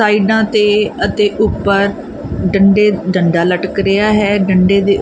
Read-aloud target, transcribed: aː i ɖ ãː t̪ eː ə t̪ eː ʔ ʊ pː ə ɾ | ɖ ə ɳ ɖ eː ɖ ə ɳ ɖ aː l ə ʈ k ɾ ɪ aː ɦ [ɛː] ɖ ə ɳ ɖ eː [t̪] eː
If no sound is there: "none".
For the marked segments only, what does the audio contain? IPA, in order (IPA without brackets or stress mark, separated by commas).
ɛː, d̪